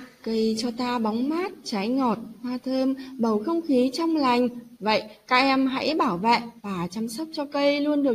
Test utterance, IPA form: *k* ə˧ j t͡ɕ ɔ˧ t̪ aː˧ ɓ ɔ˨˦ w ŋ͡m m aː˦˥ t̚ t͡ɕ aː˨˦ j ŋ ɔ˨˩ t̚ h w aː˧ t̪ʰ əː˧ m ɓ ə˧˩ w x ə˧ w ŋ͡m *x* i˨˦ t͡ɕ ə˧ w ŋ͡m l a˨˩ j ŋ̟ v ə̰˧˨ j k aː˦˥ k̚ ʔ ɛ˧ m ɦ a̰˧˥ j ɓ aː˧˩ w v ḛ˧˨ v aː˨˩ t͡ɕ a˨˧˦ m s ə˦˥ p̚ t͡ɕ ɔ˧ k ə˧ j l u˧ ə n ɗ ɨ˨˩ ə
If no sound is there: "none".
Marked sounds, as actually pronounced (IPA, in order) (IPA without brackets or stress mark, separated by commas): k, x